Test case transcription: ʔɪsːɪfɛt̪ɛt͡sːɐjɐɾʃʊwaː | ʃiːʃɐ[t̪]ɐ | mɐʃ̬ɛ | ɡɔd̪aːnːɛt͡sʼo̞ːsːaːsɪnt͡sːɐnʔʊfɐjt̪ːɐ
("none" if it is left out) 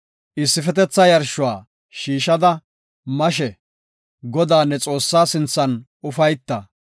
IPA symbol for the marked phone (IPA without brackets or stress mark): d̪